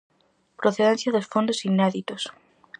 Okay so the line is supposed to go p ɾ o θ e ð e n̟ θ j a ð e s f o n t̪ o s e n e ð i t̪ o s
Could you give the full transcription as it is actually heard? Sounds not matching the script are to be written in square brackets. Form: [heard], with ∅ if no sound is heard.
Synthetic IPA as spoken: p ɾ o θ e ð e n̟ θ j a ð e s f o n [d̪] o s [i] n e ð i t̪ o s